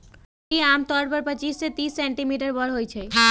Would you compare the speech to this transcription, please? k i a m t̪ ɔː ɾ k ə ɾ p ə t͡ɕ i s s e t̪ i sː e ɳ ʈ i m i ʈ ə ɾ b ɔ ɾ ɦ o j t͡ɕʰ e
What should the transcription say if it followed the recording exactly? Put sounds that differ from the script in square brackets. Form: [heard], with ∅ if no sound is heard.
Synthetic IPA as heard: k i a m t̪ [ɔ] ɾ [p] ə ɾ p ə t͡ɕ i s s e t̪ i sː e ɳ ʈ i m i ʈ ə ɾ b ɔ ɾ ɦ o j t͡ɕʰ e